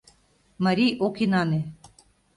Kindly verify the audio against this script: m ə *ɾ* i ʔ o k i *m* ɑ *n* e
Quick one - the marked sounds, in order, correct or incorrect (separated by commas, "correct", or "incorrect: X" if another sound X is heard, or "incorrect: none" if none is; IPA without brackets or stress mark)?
correct, incorrect: n, correct